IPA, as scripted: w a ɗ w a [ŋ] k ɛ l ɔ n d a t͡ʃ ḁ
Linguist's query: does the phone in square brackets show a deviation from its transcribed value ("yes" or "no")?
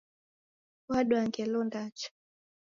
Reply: no